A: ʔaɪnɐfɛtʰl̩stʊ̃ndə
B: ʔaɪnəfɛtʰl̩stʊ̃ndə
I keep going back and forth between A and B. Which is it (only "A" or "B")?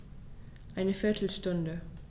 B